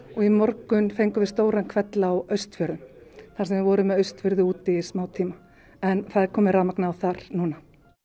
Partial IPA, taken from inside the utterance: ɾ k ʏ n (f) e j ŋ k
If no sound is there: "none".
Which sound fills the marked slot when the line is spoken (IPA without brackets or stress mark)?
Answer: f